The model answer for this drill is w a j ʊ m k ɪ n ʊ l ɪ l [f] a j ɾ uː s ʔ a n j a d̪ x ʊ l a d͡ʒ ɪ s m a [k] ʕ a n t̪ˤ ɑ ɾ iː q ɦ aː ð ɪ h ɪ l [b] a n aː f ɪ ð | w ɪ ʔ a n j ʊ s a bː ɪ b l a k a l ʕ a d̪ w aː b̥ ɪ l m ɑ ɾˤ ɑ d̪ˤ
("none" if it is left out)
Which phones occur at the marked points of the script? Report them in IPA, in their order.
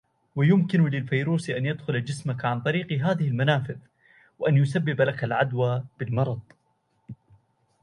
f, k, m

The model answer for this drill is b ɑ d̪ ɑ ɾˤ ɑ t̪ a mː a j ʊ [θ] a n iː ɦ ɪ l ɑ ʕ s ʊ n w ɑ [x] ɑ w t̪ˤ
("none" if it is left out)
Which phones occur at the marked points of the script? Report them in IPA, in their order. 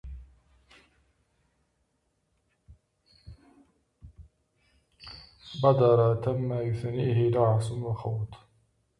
θ, x

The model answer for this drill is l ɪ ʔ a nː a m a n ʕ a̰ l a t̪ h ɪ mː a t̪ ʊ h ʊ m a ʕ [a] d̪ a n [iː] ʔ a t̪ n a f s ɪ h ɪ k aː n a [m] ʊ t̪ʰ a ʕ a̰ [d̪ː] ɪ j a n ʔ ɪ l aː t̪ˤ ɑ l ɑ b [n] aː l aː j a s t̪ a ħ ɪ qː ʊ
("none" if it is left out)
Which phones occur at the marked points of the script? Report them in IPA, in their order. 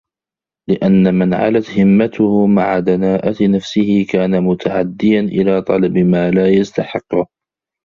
a, aː, m, d̪ː, m

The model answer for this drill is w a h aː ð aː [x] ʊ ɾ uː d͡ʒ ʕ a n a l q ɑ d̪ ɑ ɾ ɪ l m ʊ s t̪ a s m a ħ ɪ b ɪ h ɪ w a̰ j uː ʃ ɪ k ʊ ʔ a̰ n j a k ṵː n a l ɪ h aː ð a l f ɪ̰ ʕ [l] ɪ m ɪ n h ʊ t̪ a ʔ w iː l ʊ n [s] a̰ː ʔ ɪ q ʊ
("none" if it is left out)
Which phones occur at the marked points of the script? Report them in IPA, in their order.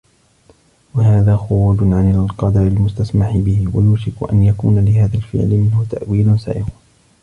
x, l, s

